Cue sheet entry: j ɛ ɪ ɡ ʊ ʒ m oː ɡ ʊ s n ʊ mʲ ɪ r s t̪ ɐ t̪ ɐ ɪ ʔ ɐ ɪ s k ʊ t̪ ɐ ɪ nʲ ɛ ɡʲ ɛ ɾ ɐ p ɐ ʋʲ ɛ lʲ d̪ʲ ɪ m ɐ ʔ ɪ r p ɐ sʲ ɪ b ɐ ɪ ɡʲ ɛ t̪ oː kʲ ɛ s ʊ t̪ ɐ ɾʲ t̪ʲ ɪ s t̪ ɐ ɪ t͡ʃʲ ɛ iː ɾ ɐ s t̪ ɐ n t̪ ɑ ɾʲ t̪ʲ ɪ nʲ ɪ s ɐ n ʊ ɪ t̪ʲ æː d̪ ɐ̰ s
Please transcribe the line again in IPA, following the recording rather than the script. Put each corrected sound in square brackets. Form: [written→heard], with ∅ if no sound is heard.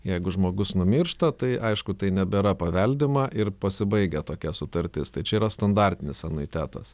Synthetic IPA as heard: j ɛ ɪ ɡ ʊ ʒ m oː ɡ ʊ s n ʊ mʲ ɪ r [s→ʃ] t̪ ɐ t̪ ɐ ɪ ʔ ɐ ɪ [s→ʃ] k ʊ t̪ ɐ ɪ nʲ ɛ [ɡʲ→bʲ] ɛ ɾ ɐ p ɐ ʋʲ ɛ lʲ d̪ʲ ɪ m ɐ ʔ ɪ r p ɐ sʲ ɪ b ɐ ɪ ɡʲ ɛ t̪ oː kʲ ɛ s ʊ t̪ ɐ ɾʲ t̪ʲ ɪ s t̪ ɐ ɪ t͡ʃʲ ɛ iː ɾ ɐ s t̪ ɐ n [t̪→d̪] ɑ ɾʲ t̪ʲ ɪ nʲ ɪ s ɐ n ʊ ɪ t̪ʲ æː [d̪→t̪] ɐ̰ s